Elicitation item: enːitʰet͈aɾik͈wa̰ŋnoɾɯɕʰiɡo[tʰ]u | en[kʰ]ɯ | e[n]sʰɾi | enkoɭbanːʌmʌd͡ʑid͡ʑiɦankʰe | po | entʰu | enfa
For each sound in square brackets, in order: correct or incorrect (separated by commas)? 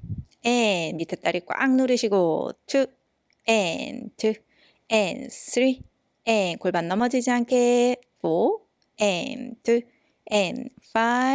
correct, incorrect, correct